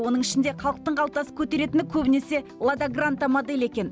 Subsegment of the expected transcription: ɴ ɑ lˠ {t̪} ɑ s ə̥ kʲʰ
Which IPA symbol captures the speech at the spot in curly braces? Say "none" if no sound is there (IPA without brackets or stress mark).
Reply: t̪